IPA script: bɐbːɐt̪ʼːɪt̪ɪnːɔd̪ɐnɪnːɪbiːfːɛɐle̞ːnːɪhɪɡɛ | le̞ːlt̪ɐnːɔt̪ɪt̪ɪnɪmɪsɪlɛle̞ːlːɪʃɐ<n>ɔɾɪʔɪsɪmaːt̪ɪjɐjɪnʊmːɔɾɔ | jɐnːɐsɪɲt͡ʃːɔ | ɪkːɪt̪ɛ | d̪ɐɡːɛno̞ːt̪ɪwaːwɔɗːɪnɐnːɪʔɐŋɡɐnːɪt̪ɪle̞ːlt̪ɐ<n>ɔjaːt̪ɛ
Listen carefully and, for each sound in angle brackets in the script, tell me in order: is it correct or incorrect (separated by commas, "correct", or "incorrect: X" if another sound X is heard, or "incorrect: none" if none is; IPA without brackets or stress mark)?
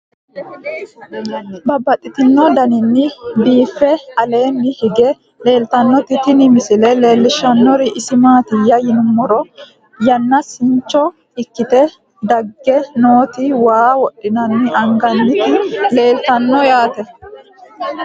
incorrect: nː, incorrect: nː